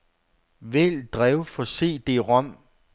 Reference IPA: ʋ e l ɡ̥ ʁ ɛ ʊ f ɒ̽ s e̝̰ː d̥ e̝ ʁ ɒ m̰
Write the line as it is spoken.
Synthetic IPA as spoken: ʋ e l d̥ ʁ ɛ ʊ f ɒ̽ s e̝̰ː d̥ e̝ ʁ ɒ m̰